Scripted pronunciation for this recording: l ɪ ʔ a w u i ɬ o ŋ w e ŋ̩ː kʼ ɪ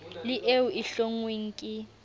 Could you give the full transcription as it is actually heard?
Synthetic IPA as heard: l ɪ ʔ e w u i ɬ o ŋ w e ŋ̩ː kʼ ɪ